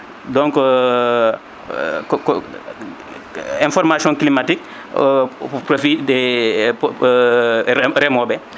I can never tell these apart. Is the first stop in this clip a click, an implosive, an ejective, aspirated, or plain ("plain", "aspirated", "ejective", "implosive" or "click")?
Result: plain